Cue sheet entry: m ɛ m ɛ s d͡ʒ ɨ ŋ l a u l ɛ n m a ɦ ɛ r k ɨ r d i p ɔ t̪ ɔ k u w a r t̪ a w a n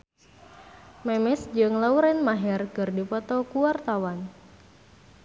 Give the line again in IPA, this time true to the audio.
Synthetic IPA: m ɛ m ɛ s d͡ʒ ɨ ŋ l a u ɾ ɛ n m a ɦ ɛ r k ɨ r d i p ɔ t̪ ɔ k u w a r t̪ a w a n

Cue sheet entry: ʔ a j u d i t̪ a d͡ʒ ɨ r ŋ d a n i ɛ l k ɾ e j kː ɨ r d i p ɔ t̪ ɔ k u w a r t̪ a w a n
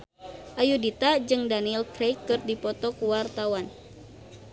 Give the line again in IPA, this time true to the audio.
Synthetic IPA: ʔ a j u d i t̪ a d͡ʒ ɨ ŋ d a n i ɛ l k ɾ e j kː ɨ r d i p ɔ t̪ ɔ k u w a r t̪ a w a n

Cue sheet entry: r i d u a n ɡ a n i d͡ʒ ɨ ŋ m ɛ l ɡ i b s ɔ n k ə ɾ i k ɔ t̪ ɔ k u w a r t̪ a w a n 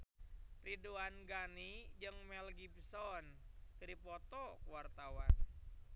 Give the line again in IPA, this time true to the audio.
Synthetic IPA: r i d u a n ɡ a n i d͡ʒ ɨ ŋ m ɛ l ɡ i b s ɔ n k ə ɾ i p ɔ t̪ ɔ k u w a r t̪ a w a n

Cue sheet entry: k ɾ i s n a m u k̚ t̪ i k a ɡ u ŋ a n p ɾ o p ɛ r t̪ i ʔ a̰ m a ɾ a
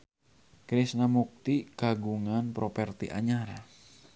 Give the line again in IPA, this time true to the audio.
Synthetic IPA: k ɾ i s n a m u k̚ t̪ i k a ɡ u ŋ a n p ɾ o p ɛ r t̪ i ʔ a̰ ɲ a ɾ a

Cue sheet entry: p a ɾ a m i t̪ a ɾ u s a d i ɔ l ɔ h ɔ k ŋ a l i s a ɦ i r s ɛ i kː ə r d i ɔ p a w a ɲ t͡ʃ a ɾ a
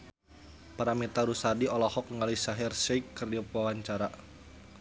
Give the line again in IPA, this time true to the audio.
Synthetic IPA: p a ɾ a m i t̪ a ɾ u s a d i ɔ l ɔ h ɔ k ŋ a l i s a ɦ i r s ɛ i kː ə r d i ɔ p a w a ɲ t͡ʃ a ɾ a

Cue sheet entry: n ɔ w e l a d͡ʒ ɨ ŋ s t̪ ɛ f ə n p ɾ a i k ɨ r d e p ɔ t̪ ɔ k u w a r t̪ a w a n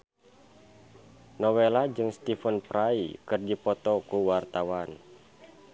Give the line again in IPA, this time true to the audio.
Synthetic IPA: n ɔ w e l a d͡ʒ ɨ ŋ s t̪ i f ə n p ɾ a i k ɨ r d i p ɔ t̪ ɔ k u w a r t̪ a w a n

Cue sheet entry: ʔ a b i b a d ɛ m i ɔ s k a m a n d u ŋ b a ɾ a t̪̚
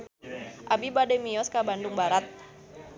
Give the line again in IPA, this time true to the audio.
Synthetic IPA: ʔ a b i b a d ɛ m i ɔ s k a b a n d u ŋ b a ɾ a t̪̚

